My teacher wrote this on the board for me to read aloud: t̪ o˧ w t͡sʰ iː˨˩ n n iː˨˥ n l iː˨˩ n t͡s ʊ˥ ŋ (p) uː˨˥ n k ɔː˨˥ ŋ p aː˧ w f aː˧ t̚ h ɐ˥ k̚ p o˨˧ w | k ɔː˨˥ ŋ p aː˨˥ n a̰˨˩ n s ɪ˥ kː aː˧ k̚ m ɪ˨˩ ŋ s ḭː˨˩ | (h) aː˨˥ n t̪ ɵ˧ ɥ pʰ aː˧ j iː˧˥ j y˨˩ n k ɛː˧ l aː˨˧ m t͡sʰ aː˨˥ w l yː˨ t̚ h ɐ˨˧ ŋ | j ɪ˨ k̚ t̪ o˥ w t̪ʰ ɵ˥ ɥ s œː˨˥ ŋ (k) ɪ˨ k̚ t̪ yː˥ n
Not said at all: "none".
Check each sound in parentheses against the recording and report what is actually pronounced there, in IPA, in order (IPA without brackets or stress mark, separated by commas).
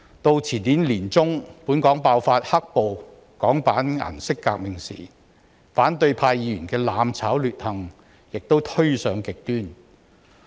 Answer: p, f, k